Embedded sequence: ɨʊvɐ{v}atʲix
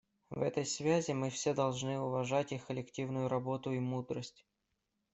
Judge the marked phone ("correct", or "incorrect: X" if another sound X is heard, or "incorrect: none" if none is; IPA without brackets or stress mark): incorrect: ʐ